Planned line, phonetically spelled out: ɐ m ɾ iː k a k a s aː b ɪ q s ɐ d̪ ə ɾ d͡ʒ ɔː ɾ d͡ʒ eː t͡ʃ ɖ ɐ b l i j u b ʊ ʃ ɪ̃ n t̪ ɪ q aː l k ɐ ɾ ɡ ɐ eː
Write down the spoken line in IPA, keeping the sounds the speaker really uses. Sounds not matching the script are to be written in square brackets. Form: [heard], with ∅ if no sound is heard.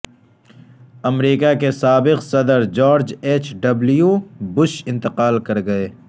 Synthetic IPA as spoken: ɐ m ɾ iː k a k [e] s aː b ɪ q s ɐ d̪ ə ɾ d͡ʒ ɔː ɾ d͡ʒ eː t͡ʃ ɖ ɐ b l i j u b ʊ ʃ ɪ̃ n t̪ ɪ q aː l k ɐ ɾ ɡ ɐ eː